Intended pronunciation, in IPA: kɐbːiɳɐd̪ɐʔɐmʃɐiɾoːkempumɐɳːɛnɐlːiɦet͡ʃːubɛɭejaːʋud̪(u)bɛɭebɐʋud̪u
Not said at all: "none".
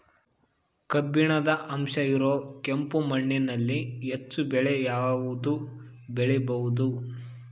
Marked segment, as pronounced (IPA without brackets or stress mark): u